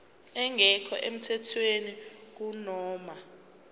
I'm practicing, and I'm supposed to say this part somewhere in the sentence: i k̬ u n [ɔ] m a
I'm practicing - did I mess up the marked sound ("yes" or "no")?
yes